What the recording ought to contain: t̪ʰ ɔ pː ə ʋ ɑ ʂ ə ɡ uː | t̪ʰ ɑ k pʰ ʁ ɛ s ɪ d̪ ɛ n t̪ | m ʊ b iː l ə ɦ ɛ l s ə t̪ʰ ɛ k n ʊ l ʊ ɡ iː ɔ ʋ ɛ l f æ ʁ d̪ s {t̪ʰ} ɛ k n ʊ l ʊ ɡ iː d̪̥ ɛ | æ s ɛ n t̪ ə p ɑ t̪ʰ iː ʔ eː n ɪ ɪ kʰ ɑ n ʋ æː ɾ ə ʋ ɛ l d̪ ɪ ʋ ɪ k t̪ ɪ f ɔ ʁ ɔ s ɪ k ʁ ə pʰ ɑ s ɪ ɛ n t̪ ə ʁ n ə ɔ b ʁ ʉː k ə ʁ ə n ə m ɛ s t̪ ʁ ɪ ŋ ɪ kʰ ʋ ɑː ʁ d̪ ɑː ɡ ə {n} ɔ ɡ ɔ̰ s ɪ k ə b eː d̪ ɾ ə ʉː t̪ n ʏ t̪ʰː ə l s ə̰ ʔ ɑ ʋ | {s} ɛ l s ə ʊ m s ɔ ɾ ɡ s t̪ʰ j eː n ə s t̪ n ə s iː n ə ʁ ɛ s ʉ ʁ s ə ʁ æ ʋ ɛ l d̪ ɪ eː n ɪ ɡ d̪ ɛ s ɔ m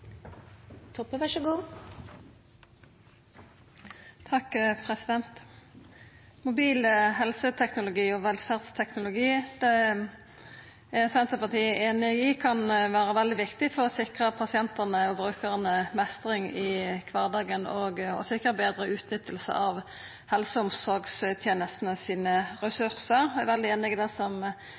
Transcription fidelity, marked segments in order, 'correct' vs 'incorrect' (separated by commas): correct, correct, incorrect